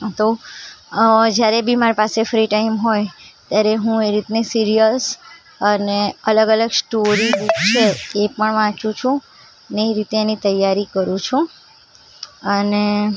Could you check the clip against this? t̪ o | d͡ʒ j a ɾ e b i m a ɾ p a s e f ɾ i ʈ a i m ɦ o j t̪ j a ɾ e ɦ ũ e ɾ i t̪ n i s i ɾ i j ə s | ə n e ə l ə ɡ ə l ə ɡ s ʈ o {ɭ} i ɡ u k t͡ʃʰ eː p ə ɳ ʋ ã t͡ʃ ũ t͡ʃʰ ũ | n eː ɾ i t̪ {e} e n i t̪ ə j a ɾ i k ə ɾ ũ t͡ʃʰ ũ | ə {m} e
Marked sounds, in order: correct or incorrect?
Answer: incorrect, correct, incorrect

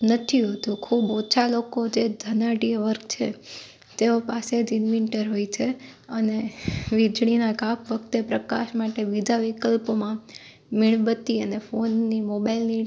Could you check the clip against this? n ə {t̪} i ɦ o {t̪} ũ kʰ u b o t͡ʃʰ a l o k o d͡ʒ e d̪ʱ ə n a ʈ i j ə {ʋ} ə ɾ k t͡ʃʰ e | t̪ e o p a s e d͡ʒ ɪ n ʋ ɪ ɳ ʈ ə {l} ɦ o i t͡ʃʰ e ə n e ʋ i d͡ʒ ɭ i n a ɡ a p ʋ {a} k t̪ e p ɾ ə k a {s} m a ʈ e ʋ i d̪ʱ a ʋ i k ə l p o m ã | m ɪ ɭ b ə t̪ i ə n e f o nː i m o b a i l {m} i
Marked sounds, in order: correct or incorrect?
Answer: incorrect, correct, correct, incorrect, incorrect, incorrect, incorrect

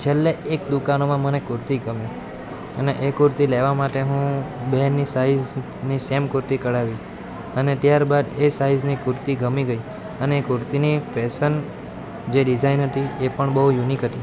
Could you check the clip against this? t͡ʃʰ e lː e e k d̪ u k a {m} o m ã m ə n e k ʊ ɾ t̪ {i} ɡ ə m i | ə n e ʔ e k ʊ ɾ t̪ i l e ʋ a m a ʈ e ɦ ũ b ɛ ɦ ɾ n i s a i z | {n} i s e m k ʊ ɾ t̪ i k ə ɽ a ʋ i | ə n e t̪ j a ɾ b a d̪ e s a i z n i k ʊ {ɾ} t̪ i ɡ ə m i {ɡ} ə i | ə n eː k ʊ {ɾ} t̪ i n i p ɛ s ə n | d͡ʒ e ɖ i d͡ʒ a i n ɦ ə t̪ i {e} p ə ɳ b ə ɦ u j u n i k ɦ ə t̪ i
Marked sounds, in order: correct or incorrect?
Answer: incorrect, correct, correct, correct, correct, correct, correct

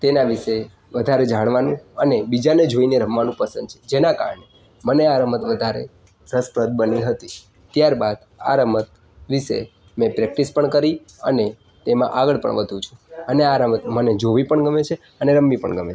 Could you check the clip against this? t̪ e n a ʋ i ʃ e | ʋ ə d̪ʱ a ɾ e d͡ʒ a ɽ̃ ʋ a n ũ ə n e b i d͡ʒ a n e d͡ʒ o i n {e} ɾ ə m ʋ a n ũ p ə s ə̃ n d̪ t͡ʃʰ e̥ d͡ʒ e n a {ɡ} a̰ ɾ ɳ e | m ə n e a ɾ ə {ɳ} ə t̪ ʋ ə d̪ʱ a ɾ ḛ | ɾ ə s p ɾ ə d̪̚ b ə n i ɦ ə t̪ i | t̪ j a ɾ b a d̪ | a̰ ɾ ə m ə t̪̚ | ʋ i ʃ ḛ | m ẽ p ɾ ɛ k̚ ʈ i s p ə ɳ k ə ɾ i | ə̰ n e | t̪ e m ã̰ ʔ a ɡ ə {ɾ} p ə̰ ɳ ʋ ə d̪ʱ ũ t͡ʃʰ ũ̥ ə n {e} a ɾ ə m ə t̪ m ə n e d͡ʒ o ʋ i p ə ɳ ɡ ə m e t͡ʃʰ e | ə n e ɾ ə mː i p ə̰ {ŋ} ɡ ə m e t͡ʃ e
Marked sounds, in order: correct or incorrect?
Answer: correct, incorrect, incorrect, incorrect, correct, incorrect

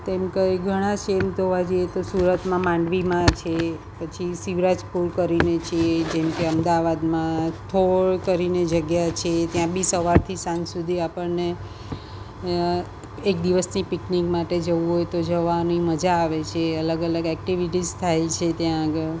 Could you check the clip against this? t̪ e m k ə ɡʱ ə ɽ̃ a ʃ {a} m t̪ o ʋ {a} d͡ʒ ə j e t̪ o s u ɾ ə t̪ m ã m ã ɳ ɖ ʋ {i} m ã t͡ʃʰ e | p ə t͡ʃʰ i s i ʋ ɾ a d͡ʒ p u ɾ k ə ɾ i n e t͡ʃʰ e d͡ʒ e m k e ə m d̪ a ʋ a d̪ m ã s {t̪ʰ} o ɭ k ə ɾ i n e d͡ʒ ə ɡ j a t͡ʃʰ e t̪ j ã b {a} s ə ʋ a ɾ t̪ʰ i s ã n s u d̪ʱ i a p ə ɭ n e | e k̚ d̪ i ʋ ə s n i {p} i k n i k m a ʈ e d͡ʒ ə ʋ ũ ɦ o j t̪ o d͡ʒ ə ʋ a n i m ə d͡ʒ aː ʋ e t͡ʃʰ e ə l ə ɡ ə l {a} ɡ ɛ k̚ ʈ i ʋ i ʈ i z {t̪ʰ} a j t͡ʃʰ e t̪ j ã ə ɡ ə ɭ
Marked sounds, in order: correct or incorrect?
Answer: incorrect, correct, correct, correct, incorrect, correct, incorrect, correct

